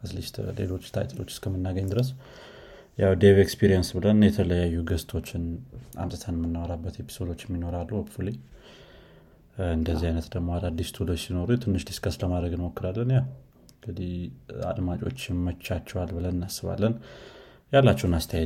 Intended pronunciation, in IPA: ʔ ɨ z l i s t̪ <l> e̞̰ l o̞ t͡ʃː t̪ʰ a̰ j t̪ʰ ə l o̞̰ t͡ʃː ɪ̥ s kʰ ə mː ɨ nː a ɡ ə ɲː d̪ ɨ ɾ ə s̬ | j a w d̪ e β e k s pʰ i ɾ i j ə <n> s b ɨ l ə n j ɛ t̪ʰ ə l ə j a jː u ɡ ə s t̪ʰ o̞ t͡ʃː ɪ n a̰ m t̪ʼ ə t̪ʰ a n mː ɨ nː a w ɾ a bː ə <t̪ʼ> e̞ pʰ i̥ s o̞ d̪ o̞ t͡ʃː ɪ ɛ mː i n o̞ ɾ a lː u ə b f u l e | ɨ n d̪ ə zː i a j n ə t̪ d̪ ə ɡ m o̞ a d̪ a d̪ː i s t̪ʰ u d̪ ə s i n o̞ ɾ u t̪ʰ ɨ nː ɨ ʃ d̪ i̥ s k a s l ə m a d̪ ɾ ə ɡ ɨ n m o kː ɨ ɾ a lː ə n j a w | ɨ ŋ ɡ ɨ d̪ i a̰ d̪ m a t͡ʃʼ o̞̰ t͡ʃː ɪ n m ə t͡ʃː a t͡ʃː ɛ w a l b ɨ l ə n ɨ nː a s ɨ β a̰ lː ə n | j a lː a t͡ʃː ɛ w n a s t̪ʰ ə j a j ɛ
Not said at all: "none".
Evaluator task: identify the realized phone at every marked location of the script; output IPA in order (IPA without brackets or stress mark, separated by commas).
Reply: l, n, t̪